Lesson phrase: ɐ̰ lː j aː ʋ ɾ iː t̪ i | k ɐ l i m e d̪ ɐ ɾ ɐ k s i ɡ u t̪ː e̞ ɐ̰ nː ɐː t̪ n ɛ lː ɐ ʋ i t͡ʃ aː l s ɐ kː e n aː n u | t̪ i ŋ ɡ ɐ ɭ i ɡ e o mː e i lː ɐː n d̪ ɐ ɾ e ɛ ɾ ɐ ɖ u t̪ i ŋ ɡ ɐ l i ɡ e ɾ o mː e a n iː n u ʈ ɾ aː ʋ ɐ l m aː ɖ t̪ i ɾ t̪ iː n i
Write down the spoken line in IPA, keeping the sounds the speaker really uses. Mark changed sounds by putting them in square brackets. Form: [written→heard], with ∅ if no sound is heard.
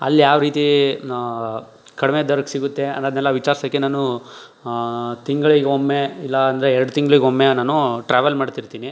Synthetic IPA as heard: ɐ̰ lː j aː ʋ ɾ iː t̪ i | k ɐ [l→ɽ] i m e d̪ ɐ ɾ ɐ k s i ɡ u t̪ː e̞ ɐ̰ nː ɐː [t̪→d̪] n ɛ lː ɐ ʋ i t͡ʃ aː [l→ɾ] s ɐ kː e n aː n u | t̪ i ŋ ɡ ɐ ɭ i ɡ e o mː e i lː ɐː n d̪ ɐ ɾ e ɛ ɾ ɐ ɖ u t̪ i ŋ ɡ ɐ [l→ɭ] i ɡ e [ɾ→∅] o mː e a n [iː→aː] n u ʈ ɾ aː ʋ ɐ l m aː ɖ t̪ i ɾ t̪ iː n i